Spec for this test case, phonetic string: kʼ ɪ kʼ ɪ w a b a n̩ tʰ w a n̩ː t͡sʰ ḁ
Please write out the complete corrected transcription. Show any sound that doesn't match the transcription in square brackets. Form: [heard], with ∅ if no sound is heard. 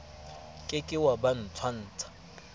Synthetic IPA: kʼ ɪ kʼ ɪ w a b a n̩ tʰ w a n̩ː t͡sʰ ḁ